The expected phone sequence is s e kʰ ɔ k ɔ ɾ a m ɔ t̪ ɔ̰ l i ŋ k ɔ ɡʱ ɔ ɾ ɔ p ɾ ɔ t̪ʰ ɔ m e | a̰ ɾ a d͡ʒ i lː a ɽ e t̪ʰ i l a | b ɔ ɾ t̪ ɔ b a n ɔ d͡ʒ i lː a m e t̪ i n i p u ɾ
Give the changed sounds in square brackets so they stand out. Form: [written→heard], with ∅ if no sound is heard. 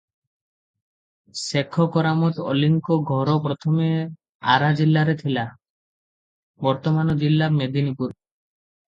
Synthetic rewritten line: s e kʰ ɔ k ɔ ɾ a m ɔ t̪ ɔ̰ l i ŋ k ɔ ɡʱ ɔ ɾ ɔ p ɾ ɔ t̪ʰ ɔ m e | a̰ ɾ a d͡ʒ i lː a [ɽ→ɾ] e t̪ʰ i l a | b ɔ ɾ t̪ ɔ [b→m] a n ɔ d͡ʒ i lː a m e [t̪→d̪] i n i p u ɾ